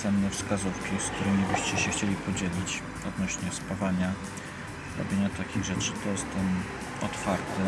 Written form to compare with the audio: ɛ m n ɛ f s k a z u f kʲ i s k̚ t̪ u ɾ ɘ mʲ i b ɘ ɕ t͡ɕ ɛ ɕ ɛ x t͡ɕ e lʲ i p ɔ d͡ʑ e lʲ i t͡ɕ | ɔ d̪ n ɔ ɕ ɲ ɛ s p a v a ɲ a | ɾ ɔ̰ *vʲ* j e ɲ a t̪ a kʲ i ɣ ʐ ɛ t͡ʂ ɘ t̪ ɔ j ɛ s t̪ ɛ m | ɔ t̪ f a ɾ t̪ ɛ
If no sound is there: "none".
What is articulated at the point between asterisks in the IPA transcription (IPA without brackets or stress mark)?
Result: bʲ